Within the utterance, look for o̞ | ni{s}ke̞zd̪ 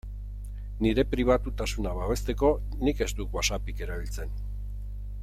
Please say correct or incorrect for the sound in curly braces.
incorrect